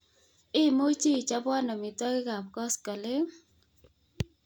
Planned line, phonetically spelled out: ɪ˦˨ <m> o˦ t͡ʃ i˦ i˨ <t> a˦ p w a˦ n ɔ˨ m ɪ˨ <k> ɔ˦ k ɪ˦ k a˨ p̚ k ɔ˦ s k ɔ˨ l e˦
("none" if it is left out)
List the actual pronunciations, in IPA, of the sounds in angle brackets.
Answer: m, t͡ʃ, t

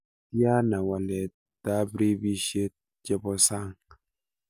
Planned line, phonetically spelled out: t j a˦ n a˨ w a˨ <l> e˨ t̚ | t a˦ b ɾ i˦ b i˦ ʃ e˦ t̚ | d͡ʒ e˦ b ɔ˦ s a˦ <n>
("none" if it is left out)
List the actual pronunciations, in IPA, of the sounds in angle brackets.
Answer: l, ŋ

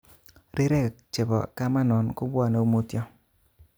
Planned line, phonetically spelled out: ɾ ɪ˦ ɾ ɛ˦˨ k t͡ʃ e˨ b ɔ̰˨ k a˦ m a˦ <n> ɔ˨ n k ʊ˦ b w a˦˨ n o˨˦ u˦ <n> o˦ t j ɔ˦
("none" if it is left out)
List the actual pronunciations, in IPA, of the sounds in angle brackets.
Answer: n, m

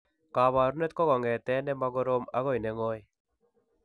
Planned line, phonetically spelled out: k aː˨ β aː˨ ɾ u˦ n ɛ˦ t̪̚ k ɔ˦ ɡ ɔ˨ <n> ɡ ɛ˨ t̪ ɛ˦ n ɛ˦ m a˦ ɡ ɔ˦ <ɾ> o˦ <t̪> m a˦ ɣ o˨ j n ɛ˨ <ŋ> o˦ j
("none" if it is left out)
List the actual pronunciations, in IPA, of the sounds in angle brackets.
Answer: ŋ, ɾ, none, ŋ

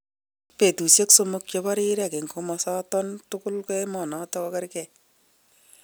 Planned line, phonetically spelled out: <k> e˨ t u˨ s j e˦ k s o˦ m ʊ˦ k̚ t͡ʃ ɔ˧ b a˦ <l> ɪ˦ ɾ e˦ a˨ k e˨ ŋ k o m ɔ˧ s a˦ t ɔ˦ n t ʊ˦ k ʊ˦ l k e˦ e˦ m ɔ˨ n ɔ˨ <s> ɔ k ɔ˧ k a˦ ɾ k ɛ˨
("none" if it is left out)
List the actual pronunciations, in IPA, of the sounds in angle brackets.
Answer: p, ɾ, t

